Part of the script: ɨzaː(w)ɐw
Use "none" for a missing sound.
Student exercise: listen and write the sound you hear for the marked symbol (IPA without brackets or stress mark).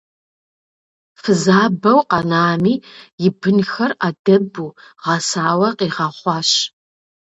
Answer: b